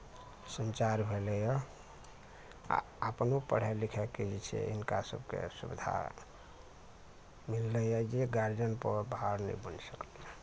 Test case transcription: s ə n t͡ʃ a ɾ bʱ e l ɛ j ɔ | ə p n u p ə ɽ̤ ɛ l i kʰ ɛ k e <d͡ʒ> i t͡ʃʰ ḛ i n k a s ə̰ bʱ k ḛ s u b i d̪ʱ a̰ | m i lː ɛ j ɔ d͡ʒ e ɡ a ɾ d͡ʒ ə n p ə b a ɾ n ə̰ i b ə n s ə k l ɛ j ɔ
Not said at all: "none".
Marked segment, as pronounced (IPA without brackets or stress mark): d͡ʒ